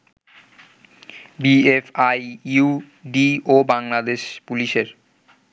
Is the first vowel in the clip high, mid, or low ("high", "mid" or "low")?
high